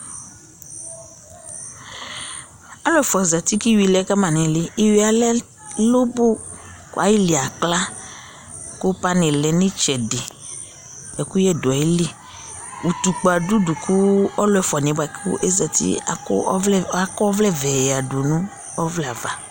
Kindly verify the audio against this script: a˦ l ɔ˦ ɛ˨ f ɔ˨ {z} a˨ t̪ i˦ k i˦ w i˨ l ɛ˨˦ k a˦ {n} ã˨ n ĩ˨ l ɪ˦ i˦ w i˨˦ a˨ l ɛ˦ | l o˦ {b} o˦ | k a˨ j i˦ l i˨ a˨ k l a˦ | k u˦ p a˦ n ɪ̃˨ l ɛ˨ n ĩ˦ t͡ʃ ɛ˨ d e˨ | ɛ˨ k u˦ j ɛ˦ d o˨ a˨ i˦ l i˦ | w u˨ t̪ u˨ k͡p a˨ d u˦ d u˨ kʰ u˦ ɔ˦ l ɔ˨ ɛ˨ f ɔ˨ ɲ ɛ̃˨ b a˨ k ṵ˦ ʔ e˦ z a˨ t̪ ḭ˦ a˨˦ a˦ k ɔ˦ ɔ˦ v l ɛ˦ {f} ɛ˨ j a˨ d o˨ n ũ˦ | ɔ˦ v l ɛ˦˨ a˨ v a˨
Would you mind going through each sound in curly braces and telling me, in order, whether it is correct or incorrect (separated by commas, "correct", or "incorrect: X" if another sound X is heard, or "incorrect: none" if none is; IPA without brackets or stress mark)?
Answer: correct, incorrect: m, correct, incorrect: v